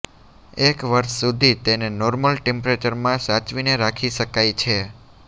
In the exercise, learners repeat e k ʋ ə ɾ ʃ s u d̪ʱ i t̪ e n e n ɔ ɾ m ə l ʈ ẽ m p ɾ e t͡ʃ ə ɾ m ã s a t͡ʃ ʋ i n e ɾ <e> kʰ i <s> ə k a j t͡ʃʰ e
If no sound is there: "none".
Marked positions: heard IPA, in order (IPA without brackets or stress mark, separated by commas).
a, ʃ